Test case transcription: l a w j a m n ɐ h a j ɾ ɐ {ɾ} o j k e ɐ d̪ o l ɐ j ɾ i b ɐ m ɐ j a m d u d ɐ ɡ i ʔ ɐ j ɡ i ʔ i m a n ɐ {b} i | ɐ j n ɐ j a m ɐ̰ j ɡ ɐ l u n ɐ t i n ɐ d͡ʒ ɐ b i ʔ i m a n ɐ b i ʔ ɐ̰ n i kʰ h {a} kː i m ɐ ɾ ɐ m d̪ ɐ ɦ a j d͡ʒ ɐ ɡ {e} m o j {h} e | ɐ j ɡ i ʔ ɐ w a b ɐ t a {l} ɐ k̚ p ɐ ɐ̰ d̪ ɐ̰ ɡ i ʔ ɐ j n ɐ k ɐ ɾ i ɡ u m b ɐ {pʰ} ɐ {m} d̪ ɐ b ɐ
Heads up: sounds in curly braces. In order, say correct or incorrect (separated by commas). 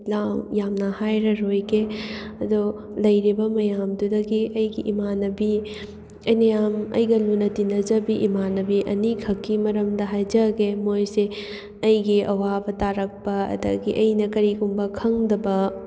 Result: correct, correct, incorrect, correct, incorrect, incorrect, incorrect, incorrect